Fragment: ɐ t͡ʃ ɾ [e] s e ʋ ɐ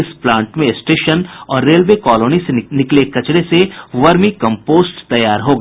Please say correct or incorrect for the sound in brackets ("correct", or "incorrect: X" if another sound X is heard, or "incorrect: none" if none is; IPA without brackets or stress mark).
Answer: correct